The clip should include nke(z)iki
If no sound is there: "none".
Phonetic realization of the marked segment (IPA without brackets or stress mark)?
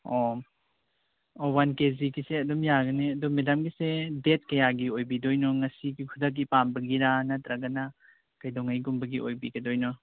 z